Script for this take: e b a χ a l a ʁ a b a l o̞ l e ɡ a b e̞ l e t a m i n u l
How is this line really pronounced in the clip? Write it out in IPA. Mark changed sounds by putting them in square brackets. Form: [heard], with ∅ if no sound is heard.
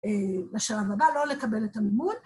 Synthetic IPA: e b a [ʃ] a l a [v] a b a l o̞ l e [k] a b e̞ l e t a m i [m] u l